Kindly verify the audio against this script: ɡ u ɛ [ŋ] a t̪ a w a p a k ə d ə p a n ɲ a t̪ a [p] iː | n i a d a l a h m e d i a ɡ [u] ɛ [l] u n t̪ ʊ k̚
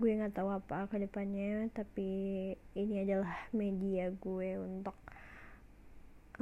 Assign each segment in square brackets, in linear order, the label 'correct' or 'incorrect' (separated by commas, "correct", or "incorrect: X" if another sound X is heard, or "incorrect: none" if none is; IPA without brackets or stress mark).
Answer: correct, correct, correct, incorrect: none